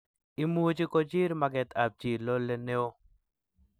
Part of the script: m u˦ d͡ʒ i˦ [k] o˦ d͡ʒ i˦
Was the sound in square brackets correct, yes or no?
yes